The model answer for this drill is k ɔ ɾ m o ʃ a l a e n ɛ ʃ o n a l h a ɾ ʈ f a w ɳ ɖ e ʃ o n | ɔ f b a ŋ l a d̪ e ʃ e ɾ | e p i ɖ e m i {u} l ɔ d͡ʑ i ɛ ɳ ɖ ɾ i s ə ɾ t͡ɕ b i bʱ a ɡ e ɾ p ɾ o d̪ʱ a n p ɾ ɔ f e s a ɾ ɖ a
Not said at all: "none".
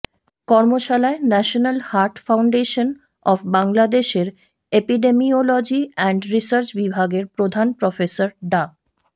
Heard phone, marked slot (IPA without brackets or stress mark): o